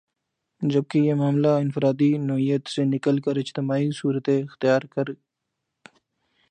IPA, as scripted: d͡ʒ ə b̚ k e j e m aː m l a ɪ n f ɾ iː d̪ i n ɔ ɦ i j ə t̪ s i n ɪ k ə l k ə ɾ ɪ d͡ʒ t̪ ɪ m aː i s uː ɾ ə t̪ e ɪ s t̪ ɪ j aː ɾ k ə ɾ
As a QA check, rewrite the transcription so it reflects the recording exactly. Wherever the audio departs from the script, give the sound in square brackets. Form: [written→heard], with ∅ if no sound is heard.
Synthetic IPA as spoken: d͡ʒ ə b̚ k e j e m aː m l a ɪ n f ɾ [iː→aː] d̪ i n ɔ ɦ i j ə t̪ s [i→e] n ɪ k ə l k ə ɾ ɪ d͡ʒ t̪ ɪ m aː i s uː ɾ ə t̪ e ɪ [s→x] t̪ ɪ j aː ɾ k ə ɾ